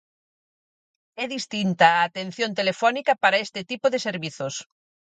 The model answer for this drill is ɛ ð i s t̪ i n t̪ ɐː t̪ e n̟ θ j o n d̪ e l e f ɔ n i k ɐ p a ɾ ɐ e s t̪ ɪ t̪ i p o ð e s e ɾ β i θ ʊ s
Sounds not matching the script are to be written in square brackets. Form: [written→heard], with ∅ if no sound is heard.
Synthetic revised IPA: ɛ ð i s t̪ i n t̪ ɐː t̪ e n̟ θ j o n [d̪→t̪] e l e f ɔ n i k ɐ p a ɾ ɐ e s t̪ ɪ t̪ i p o ð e s e ɾ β i θ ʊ s